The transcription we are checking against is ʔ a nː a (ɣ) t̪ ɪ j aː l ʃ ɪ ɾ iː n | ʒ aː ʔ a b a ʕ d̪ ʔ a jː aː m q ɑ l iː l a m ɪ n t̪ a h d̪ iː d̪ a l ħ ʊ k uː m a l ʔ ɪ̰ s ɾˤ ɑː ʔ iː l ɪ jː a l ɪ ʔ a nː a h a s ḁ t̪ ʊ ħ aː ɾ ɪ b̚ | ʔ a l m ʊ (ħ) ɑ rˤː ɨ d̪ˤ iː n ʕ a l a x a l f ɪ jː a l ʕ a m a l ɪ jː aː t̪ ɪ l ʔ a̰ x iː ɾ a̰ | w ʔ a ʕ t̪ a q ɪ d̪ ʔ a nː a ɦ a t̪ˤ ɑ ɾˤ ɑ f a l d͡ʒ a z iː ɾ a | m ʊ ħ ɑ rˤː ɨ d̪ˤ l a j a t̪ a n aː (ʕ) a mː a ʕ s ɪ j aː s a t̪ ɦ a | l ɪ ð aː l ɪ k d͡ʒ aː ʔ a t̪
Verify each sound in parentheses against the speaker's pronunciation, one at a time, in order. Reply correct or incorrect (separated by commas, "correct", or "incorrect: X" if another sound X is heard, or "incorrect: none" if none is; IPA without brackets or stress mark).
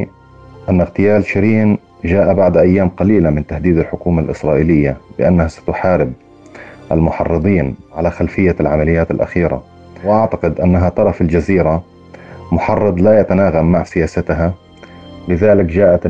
correct, correct, incorrect: ɣ